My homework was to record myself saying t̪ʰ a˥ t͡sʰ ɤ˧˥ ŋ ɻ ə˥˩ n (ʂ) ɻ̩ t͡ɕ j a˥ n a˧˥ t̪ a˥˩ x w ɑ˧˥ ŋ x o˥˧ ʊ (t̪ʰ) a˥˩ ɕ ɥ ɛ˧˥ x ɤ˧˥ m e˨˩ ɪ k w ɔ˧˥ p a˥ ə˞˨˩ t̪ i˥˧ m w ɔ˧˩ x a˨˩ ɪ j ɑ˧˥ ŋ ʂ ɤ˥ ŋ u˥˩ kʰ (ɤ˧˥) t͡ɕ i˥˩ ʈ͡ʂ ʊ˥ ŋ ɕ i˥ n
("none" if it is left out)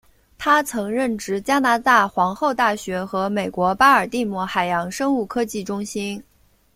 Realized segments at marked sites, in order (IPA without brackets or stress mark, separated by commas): ʈ͡ʂ, t̪, ɤ˥